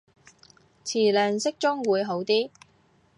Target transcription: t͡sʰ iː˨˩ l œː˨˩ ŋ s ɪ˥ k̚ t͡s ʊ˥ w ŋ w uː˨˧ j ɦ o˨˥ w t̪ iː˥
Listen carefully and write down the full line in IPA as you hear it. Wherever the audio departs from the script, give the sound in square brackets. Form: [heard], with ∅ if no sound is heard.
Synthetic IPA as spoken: t͡sʰ iː˨˩ l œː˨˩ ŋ s ɪ˥ k̚ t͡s ʊ˥ [∅] ŋ w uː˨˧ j ɦ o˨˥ w t̪ iː˥